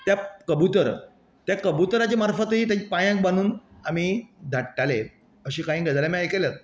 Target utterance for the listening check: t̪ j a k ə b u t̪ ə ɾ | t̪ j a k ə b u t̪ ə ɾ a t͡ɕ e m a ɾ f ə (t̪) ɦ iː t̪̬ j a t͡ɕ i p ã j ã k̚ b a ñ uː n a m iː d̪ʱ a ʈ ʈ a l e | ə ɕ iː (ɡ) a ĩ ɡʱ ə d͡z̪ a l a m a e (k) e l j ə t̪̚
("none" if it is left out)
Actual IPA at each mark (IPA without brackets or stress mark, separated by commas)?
t̪, k, k